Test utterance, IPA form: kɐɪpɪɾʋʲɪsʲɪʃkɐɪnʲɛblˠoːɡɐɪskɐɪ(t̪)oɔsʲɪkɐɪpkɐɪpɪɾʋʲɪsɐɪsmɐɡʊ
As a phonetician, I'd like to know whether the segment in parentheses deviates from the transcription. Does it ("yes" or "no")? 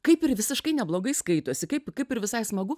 no